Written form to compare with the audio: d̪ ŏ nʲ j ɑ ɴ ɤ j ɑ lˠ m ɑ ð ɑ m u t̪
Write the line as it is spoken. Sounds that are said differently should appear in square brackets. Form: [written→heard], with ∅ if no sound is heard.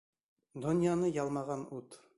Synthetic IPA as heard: d̪ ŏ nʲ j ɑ [ɴ→n] ɤ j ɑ lˠ m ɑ [ð→ʁ] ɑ [m→n] u t̪